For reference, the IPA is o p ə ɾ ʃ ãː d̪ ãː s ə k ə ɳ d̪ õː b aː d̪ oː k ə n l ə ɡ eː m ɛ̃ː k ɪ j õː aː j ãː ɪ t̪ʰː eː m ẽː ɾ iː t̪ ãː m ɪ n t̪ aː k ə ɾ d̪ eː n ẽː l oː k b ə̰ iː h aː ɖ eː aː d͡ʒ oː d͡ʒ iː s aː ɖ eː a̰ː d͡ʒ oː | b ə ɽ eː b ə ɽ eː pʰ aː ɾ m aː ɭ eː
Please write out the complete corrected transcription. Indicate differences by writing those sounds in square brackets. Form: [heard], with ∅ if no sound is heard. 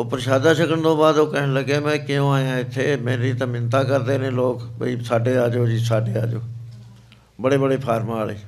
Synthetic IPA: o p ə ɾ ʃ [aː] d̪ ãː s ə k ə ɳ d̪ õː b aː d̪ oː k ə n l ə ɡ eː m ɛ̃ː k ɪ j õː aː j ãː ɪ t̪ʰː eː m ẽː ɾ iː t̪ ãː m ɪ n t̪ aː k ə ɾ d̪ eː n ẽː l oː k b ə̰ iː [s] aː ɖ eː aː d͡ʒ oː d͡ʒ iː s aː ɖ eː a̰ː d͡ʒ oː | b ə ɽ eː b ə ɽ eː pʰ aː ɾ m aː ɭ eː